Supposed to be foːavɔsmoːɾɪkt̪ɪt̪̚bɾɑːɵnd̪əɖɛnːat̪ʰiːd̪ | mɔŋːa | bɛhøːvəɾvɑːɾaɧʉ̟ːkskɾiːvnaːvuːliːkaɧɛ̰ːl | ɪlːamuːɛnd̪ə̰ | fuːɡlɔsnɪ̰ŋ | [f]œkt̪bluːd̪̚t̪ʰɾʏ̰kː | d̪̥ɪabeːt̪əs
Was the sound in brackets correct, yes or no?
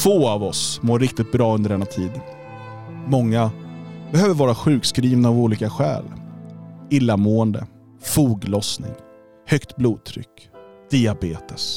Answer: no